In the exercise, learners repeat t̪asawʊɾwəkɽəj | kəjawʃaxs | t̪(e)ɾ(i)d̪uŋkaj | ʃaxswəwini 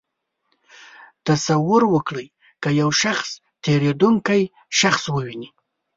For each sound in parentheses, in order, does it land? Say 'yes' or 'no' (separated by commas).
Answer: yes, no